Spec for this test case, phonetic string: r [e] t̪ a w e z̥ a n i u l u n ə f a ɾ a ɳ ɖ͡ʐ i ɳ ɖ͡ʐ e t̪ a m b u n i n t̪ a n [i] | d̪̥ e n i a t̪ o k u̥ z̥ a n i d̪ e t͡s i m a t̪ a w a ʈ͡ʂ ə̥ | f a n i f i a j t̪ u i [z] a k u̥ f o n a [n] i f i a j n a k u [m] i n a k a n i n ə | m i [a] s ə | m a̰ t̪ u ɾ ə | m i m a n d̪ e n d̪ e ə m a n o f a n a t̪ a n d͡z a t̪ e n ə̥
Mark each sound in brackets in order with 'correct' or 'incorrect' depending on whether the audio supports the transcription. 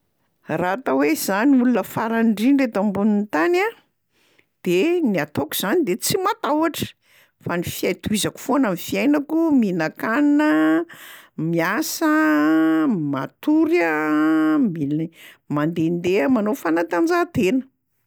incorrect: a, incorrect: a, correct, incorrect: m, correct, correct

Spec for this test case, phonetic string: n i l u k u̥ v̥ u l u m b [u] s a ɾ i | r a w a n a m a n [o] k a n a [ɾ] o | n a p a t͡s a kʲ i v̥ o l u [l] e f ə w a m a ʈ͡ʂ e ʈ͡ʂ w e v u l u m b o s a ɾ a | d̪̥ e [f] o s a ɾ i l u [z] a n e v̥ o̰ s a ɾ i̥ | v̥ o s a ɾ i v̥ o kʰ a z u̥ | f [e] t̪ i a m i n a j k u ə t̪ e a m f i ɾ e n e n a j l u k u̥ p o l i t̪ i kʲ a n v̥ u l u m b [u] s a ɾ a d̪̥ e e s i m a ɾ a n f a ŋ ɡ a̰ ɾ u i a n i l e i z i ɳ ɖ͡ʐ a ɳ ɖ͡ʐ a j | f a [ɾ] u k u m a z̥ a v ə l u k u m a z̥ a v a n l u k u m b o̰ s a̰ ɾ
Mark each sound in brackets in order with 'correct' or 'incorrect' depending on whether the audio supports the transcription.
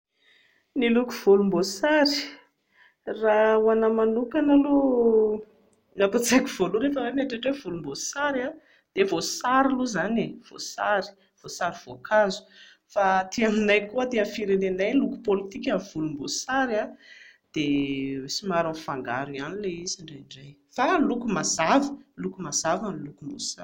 incorrect: o, incorrect: u, incorrect: l, incorrect: ɾ, incorrect: v, correct, incorrect: a, incorrect: o, incorrect: l

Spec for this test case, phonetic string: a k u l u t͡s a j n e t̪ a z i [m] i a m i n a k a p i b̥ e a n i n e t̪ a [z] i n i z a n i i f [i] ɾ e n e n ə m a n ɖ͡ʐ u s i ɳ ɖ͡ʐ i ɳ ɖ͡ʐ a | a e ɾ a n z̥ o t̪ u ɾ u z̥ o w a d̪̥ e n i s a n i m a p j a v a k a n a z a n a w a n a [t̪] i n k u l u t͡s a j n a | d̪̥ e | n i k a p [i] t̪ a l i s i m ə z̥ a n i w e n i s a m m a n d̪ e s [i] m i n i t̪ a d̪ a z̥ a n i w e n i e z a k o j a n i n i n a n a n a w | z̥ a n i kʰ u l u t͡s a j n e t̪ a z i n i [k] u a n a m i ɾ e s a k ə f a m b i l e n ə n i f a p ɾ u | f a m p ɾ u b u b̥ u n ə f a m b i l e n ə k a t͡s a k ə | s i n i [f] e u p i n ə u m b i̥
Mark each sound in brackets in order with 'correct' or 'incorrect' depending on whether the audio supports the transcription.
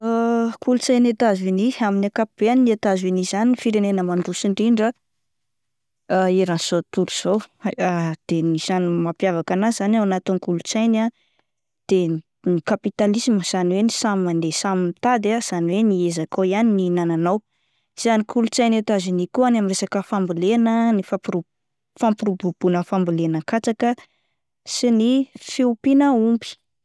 incorrect: n, correct, correct, correct, correct, incorrect: a, correct, correct

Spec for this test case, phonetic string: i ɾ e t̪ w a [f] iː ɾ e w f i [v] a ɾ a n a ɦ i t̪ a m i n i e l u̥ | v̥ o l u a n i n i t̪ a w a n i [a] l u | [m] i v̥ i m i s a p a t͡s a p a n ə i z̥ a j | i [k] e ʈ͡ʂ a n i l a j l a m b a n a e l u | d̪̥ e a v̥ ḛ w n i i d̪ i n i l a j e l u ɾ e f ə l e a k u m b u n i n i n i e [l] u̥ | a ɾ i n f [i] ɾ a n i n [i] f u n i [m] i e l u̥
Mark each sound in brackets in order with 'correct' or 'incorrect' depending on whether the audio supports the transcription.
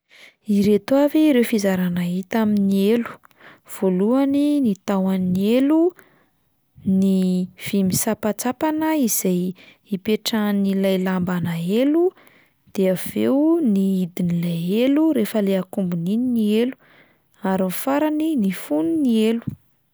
incorrect: v, incorrect: z, incorrect: e, incorrect: n, incorrect: p, correct, incorrect: a, correct, incorrect: n

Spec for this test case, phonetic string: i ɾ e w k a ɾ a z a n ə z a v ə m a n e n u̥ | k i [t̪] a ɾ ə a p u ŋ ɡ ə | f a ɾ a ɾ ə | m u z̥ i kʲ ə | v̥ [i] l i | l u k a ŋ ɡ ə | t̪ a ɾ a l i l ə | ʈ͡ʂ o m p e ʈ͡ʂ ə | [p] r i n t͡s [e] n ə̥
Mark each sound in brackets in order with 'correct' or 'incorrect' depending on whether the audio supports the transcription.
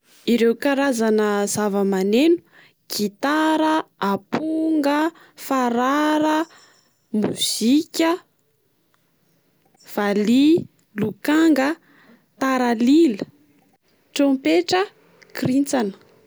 correct, incorrect: a, incorrect: k, incorrect: a

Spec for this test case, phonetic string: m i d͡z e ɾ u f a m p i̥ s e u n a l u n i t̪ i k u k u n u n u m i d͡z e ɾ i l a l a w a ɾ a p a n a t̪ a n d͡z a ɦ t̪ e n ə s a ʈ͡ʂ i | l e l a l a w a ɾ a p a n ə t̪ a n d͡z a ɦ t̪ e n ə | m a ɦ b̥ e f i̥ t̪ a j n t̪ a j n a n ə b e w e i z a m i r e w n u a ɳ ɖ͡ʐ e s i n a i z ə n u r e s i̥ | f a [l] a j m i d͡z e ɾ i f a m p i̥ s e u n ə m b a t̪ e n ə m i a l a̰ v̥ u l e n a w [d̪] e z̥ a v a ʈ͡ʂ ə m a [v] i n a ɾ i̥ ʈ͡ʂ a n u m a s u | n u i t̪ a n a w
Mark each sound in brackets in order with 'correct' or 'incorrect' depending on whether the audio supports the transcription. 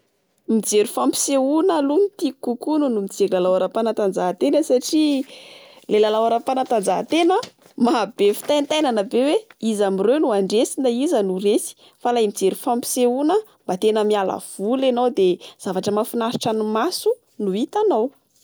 correct, correct, incorrect: f

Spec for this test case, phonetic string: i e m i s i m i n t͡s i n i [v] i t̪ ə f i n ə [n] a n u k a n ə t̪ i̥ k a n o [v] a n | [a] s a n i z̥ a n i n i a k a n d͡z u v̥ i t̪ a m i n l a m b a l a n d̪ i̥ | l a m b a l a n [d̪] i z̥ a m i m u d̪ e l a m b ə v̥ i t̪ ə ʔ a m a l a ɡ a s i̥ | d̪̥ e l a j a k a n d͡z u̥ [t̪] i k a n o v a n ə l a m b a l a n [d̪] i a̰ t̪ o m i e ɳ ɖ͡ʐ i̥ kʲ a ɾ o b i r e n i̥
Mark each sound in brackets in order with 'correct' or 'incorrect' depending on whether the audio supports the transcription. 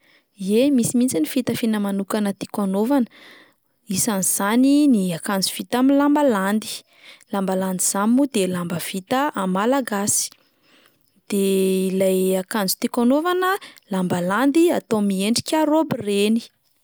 incorrect: f, incorrect: m, correct, incorrect: i, correct, correct, correct

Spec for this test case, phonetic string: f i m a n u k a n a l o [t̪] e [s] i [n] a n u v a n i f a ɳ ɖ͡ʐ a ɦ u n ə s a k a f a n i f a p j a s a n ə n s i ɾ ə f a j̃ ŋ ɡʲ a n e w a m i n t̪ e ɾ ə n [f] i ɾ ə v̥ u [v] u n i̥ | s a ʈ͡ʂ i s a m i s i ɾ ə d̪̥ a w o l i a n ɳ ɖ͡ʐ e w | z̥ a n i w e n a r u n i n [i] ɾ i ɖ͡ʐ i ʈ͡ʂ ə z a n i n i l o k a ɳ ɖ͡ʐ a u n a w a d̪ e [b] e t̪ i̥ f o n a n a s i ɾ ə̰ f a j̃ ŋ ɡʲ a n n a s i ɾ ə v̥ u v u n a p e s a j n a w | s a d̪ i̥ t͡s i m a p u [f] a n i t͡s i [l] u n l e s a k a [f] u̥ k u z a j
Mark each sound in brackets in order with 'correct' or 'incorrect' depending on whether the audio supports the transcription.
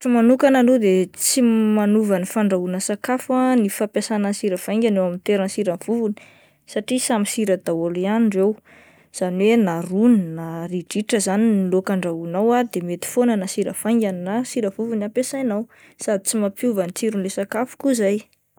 incorrect: d̪, incorrect: t͡s, incorrect: m, incorrect: s, correct, incorrect: a, incorrect: m, incorrect: v, incorrect: ɾ, correct

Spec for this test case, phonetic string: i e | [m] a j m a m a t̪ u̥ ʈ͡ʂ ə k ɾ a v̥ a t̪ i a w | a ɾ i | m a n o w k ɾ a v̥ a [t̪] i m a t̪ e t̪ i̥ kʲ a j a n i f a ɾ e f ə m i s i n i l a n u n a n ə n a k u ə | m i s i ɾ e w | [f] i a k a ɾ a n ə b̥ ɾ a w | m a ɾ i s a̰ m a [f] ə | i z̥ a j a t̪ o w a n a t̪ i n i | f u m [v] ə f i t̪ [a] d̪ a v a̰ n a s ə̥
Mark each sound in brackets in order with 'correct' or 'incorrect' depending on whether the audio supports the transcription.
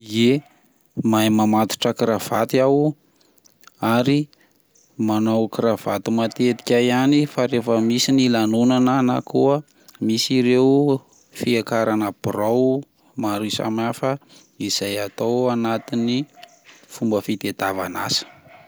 correct, correct, correct, correct, incorrect: b, incorrect: e

